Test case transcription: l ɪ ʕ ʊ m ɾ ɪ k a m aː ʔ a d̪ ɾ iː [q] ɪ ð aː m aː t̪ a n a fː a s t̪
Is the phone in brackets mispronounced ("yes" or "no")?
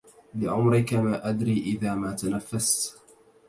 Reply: yes